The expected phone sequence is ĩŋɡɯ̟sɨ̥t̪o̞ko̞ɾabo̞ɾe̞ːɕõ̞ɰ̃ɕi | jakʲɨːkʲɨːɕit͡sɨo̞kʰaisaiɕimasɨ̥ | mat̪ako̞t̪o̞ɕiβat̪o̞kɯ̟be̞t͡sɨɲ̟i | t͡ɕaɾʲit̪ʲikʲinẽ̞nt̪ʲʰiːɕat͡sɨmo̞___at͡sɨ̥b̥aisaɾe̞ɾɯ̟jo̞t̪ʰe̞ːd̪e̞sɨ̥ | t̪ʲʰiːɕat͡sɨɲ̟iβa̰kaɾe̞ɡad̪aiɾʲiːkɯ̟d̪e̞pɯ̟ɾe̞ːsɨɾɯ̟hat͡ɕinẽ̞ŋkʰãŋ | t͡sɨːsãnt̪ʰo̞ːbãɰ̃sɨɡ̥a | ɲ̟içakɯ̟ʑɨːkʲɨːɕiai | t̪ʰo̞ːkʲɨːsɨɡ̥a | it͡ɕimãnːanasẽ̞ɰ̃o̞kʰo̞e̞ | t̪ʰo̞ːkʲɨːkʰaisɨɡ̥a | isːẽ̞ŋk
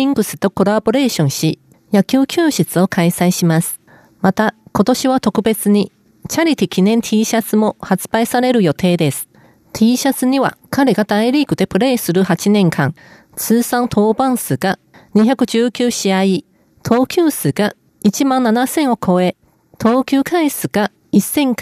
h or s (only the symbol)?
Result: h